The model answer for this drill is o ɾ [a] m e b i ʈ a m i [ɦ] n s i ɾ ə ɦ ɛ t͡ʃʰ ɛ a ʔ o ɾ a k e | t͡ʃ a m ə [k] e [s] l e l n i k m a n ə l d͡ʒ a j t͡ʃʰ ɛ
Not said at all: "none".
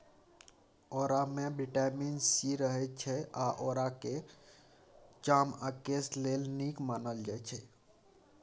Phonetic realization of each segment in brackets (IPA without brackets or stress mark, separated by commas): a, none, k, s